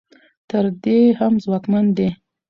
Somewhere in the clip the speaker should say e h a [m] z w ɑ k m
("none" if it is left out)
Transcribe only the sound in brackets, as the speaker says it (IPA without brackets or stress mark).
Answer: m